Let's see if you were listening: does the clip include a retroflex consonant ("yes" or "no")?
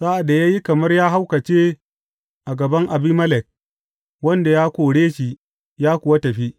yes